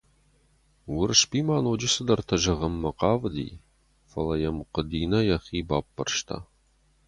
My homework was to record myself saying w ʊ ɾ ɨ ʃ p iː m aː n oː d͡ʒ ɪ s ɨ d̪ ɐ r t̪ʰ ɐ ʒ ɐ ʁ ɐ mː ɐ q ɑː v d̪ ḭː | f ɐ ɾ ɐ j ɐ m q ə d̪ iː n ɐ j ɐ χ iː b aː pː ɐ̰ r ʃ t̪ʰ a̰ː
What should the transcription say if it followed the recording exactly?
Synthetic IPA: w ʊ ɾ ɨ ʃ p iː m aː n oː d͡ʒ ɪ s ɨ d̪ ɐ r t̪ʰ ɐ ʒ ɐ ʁ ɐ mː ɐ q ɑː v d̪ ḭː | f ɐ l ɐ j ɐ m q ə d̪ iː n ɐ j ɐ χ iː b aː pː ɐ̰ r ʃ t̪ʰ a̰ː